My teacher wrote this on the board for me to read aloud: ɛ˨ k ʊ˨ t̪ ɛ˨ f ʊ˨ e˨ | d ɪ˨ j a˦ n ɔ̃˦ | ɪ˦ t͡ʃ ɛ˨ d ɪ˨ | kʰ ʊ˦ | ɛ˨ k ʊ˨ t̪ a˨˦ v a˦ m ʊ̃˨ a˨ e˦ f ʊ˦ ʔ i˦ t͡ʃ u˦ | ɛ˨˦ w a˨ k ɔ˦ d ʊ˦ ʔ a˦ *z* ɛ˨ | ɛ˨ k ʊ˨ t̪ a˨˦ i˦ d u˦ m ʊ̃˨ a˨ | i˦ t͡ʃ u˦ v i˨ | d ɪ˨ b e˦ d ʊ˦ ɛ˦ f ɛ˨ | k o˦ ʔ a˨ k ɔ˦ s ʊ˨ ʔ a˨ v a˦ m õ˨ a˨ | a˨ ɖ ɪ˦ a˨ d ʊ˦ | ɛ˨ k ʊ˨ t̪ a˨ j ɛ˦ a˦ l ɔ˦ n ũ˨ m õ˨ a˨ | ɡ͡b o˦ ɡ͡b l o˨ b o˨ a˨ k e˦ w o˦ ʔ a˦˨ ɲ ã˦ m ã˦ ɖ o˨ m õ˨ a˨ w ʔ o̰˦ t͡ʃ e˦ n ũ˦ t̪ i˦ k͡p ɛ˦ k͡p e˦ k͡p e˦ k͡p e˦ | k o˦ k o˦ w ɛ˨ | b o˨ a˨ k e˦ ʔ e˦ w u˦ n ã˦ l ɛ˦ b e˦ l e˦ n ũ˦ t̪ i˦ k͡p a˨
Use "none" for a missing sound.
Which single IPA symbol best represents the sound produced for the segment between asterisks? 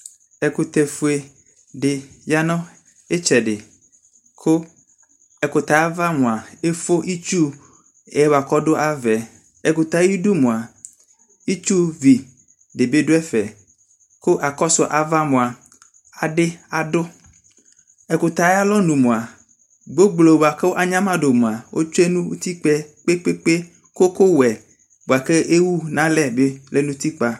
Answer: v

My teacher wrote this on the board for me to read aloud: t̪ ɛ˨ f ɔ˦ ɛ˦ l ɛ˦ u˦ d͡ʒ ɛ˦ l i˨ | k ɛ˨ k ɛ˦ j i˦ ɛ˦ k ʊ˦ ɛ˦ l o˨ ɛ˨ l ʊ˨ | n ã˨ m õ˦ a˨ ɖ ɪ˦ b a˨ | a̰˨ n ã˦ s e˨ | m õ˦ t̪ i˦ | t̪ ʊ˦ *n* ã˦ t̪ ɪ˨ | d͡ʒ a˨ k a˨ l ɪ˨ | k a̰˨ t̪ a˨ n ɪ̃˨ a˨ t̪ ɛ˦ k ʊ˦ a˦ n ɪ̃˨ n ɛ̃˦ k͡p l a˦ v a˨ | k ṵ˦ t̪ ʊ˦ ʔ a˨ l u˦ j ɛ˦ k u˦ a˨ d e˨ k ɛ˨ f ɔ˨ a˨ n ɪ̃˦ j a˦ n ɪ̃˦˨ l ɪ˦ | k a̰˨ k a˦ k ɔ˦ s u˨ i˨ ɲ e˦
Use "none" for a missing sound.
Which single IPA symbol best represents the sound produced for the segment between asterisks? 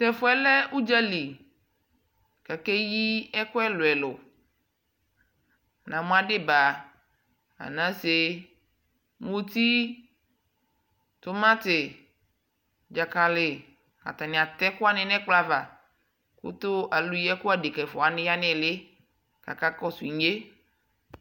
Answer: m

